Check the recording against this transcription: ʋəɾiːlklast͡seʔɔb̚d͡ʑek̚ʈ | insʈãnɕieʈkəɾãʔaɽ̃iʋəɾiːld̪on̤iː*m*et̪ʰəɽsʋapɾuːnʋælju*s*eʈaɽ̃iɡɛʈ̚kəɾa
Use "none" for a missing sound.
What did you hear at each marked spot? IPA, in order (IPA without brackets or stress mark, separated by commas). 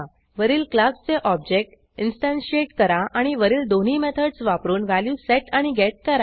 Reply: m, s